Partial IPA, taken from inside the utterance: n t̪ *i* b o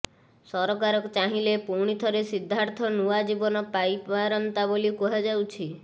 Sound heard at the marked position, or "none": a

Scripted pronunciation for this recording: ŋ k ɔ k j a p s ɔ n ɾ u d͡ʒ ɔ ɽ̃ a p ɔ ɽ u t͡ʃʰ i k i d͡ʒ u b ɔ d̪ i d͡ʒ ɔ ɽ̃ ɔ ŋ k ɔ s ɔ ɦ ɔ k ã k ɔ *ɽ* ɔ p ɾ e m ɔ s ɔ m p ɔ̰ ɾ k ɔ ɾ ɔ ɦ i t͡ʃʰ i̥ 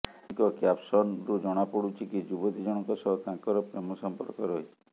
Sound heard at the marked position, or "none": ɾ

